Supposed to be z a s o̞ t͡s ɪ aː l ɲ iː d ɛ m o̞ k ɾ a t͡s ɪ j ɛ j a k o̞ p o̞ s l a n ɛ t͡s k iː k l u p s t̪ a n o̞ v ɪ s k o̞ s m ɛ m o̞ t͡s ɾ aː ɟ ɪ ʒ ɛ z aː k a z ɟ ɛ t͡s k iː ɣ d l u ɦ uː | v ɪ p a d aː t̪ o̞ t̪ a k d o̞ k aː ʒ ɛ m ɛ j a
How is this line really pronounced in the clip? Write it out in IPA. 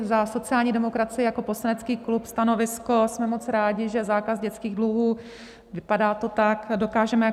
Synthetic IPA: z a s o̞ t͡s ɪ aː l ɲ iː d ɛ m o̞ k ɾ a t͡s ɪ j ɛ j a k o̞ p o̞ s l a n ɛ t͡s k iː k l u p s t̪ a n o̞ v ɪ s k o̞ s m ɛ m o̞ t͡s ɾ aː ɟ ɪ ʒ ɛ z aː k a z ɟ ɛ t͡s k iː ɣ d l u ɦ uː | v ɪ p a d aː t̪ o̞ t̪ a k d o̞ k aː ʒ ɛ m ɛ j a